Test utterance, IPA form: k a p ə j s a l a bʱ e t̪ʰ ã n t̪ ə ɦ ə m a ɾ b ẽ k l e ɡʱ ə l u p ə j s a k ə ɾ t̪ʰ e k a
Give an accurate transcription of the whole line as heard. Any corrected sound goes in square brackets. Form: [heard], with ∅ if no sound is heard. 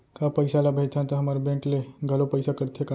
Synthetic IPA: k a p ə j s a l a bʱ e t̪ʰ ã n t̪ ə ɦ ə m a ɾ b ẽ k l e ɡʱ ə l [o] p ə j s a k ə ɾ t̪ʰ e k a